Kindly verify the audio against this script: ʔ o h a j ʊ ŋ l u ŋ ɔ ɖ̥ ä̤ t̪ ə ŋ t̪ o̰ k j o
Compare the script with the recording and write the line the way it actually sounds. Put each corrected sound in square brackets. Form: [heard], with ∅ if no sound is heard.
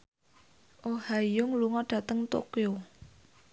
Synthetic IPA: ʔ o h a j ʊ ŋ l u ŋ ɔ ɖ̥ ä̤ t̪ ə ŋ t̪ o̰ k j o